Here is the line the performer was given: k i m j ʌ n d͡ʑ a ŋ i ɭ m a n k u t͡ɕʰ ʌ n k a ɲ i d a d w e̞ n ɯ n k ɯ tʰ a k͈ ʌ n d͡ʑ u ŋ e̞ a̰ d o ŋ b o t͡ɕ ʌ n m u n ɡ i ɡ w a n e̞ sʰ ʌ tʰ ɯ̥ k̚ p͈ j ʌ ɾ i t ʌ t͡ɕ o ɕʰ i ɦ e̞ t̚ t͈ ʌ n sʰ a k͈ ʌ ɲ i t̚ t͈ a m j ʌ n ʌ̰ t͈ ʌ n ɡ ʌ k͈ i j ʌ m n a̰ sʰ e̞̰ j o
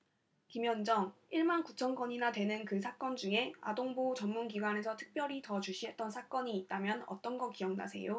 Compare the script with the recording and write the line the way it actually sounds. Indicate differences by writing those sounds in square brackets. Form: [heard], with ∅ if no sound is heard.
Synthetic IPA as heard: k i m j ʌ n d͡ʑ [ʌ] ŋ i ɭ m a n k u t͡ɕʰ ʌ n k [ʌ] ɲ i [n] a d w e̞ n ɯ n k ɯ [sʰ] a k͈ ʌ n d͡ʑ u ŋ e̞ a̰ d o ŋ b o t͡ɕ ʌ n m u n ɡ i ɡ w a n e̞ sʰ ʌ tʰ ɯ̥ k̚ p͈ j ʌ ɾ i t ʌ t͡ɕ [u] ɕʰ i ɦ e̞ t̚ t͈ ʌ n sʰ a k͈ ʌ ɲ [iː] t̚ t͈ a m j ʌ n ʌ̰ t͈ ʌ n ɡ ʌ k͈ i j ʌ [ŋ] n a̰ sʰ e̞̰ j o